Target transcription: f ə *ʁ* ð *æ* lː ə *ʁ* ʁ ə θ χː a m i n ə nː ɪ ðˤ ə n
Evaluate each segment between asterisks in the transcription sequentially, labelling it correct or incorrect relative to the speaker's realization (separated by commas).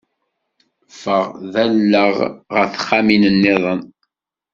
correct, correct, correct